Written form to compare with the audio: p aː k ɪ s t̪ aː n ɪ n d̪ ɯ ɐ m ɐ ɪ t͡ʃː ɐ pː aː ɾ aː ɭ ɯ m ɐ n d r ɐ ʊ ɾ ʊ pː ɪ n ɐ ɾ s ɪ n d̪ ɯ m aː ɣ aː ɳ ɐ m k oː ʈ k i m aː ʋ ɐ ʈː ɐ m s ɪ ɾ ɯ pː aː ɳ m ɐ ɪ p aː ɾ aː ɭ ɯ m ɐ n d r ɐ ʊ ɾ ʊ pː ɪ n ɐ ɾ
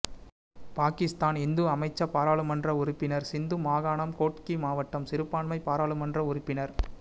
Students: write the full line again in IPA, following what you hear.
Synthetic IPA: p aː k ɪ s t̪ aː n ɪ n d̪ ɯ ɐ m ɐ ɪ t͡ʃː ɐ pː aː ɾ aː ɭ ɯ m ɐ n d r ɐ ʊ ɾ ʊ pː ɪ n ɐ ɾ s ɪ n d̪ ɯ m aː ɣ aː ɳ ɐ m k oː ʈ k i m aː ʋ ɐ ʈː ɐ m s ɪ ɾ ɯ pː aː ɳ m ɐ ɪ p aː ɾ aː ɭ ɯ m ɐ n d r ɐ ʊ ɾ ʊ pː ɪ n ɐ ɾ